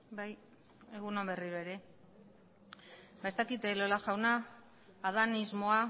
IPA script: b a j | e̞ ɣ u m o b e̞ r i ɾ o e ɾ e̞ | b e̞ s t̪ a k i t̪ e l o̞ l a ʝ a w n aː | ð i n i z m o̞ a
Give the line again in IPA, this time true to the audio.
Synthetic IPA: b a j | e̞ ɣ u n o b e̞ r i ɾ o e ɾ e̞ | b e̞ s t̪ a k i t̪ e l o̞ l a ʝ a w n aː | ð a n i z m o̞ a